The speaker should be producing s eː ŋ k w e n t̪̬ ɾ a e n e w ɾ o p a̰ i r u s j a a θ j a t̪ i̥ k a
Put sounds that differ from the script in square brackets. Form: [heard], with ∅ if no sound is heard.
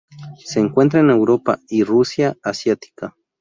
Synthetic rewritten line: s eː ŋ k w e n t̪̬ ɾ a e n e w ɾ o p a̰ i r u s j a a [s] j a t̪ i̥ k a